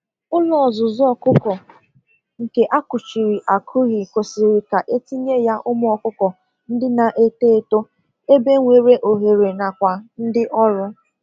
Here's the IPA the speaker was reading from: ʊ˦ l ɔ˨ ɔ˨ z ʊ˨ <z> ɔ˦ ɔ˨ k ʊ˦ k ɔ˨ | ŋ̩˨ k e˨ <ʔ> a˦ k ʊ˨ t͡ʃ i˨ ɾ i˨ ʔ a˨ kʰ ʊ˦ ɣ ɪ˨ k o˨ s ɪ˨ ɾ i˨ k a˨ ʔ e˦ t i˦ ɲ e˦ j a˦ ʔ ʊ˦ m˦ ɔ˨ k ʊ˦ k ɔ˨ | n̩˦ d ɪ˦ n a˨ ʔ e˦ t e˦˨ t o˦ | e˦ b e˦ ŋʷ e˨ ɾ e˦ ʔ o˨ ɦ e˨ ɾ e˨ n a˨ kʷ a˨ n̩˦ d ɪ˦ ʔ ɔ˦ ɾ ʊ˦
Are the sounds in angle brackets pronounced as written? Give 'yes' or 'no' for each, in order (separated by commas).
yes, yes